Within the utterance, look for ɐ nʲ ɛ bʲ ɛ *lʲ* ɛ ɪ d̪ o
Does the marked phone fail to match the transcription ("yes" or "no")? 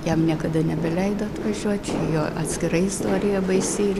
no